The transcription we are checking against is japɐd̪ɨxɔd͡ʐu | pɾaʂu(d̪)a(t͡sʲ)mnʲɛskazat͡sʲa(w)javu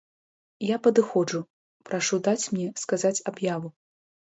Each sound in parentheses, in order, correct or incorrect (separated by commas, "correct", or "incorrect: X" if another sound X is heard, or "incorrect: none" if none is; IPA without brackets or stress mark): correct, correct, incorrect: b